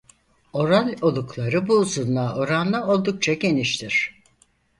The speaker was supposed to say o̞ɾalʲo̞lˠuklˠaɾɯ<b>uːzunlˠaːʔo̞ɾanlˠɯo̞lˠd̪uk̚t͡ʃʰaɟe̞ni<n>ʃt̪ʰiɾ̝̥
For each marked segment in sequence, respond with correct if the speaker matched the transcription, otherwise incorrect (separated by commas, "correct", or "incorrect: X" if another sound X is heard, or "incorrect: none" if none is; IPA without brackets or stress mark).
correct, incorrect: none